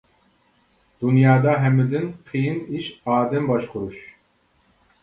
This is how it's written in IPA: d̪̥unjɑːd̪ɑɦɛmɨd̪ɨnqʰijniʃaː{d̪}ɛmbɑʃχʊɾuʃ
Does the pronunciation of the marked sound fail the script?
no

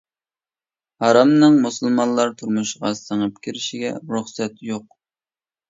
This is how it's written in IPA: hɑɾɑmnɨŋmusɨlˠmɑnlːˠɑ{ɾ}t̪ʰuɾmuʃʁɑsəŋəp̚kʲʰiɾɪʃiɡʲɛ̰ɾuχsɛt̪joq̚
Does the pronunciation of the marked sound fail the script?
no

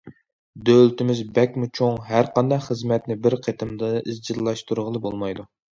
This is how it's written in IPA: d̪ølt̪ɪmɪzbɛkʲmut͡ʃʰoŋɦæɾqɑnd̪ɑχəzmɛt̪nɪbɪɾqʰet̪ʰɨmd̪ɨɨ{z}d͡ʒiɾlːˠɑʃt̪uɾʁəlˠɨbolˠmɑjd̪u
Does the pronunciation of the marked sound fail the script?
no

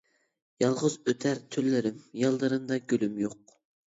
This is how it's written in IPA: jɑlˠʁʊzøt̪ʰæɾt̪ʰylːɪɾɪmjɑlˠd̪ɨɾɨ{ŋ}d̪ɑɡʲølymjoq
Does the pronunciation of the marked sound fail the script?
yes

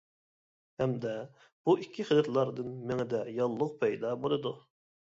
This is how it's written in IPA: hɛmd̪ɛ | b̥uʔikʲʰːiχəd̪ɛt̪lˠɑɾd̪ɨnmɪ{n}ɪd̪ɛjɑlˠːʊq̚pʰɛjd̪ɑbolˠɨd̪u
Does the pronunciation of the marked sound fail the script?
yes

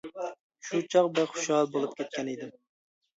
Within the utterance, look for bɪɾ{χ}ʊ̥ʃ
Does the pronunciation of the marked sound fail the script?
no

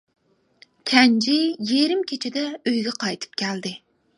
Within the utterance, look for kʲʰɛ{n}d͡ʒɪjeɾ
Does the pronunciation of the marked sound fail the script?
no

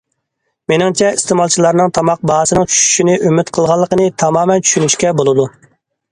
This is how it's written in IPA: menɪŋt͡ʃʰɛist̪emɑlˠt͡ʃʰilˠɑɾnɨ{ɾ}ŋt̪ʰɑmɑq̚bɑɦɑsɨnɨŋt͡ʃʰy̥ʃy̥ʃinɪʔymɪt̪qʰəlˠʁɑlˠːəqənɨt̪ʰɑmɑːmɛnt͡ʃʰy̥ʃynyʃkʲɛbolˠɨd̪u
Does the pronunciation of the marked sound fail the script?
yes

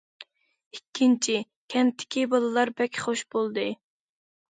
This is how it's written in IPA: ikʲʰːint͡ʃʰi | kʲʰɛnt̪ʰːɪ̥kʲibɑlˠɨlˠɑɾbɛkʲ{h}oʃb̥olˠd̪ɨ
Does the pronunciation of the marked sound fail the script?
yes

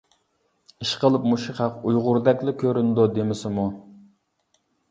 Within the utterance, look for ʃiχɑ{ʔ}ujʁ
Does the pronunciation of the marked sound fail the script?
yes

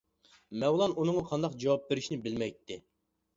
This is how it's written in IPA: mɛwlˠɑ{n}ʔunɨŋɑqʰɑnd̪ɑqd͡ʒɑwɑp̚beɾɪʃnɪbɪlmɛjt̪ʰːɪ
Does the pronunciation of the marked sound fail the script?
no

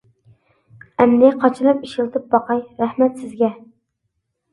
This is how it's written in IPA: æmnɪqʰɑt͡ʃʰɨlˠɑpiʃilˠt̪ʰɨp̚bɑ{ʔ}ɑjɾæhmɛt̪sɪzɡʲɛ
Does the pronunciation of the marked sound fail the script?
yes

